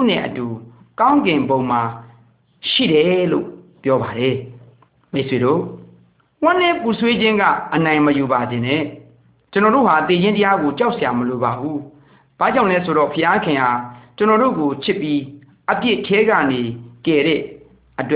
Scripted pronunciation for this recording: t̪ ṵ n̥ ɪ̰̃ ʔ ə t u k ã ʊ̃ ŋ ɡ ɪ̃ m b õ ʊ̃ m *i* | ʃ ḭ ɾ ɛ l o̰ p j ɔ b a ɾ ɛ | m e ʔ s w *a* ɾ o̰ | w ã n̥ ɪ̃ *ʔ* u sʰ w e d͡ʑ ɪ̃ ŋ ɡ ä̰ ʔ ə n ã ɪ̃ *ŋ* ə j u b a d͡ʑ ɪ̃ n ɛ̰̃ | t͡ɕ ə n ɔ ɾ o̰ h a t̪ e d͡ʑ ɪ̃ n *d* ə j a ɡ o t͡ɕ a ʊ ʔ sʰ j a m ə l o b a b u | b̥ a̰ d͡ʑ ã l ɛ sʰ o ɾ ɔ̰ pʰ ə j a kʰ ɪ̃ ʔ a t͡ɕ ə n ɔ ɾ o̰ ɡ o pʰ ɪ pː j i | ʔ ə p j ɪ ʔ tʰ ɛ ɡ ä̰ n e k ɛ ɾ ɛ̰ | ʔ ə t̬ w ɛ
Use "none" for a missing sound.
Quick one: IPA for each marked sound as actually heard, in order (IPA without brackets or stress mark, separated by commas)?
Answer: a, e, p, m, t